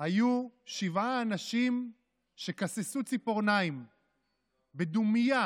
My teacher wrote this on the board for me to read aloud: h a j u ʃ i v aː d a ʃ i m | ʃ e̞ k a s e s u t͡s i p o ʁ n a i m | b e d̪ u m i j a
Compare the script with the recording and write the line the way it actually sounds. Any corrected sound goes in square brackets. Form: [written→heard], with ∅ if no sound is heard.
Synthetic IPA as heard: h a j u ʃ i v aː [d→n] a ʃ i m | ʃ e̞ k a s e s u t͡s i p o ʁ n a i m | b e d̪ u m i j a

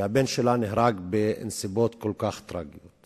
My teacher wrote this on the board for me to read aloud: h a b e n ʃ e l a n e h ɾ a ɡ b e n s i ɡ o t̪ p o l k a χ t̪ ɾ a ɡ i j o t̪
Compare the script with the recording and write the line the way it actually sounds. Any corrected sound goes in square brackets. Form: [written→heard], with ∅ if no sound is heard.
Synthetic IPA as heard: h a b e n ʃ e l a n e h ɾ a ɡ b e n s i [ɡ→b] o t̪ [p→k] o l k a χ t̪ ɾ a ɡ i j o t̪

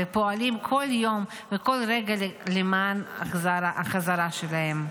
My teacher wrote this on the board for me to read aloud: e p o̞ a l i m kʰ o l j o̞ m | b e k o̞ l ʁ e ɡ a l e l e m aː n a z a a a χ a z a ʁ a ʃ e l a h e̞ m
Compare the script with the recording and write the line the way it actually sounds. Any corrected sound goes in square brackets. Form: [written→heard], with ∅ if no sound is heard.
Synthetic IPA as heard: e p o̞ a l i m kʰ o l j o̞ m | [b→v] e k o̞ l ʁ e ɡ a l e l e m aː n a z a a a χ a z a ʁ a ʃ e l a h e̞ m

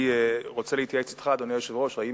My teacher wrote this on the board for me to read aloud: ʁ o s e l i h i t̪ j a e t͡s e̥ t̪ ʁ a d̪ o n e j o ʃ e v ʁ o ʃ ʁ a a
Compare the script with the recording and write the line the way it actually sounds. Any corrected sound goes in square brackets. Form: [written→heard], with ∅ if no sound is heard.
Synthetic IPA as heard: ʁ o [s→t͡s] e l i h i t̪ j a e t͡s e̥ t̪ [ʁ→χ] a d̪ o n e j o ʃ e v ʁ o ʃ ʁ a [a→i]

